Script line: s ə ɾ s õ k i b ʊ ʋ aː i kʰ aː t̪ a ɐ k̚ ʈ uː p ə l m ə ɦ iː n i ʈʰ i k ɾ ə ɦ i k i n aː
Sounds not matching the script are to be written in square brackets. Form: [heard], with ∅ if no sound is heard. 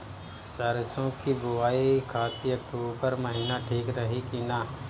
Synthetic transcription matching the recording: s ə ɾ s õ k i b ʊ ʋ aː i kʰ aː t̪ [i] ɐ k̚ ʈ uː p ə [ɾ] m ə ɦ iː n [a] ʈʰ [iː] k ɾ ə ɦ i k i n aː